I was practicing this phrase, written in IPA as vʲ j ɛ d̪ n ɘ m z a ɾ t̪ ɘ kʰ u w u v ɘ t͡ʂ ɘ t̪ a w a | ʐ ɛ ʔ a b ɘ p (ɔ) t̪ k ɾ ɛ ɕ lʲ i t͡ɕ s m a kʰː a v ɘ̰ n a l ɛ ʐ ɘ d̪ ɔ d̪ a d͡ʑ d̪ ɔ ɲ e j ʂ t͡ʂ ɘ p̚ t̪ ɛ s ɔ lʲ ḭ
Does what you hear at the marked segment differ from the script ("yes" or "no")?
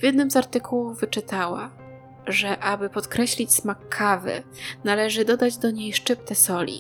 no